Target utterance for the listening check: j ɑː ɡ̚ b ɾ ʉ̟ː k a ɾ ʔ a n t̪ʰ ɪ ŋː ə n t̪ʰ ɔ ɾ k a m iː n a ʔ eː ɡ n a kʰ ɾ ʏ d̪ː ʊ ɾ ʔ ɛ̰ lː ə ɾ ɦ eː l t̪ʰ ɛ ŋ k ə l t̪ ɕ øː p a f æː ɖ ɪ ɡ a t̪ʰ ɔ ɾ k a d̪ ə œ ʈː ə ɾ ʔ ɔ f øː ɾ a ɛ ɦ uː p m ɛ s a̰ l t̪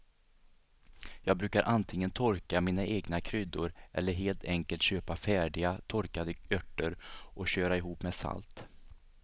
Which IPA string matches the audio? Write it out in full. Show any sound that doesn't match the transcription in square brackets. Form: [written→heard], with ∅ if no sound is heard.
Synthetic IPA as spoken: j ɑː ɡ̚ b ɾ ʉ̟ː k a ɾ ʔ a n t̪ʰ ɪ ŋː ə n t̪ʰ ɔ ɾ k a m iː n a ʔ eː ɡ n a kʰ ɾ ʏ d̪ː ʊ ɾ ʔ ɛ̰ lː ə ɾ ɦ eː l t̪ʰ ɛ ŋ k ə l t̪ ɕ øː p a f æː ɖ ɪ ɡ a t̪ʰ ɔ ɾ k a d̪ ə œ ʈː ə ɾ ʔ ɔ [f→ɕ] øː ɾ a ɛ ɦ uː p m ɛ s a̰ l t̪